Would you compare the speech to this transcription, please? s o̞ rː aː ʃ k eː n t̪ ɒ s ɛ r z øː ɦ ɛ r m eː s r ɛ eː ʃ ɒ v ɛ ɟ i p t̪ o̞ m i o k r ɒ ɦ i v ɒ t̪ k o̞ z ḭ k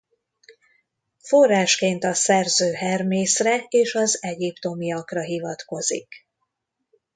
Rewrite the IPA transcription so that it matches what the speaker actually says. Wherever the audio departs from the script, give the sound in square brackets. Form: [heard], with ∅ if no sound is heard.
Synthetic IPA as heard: [f] o̞ rː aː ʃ k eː n t̪ ɒ s ɛ r z øː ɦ ɛ r m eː s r ɛ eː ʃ ɒ [z] ɛ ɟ i p t̪ o̞ m i [ɒ] k r ɒ ɦ i v ɒ t̪ k o̞ z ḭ k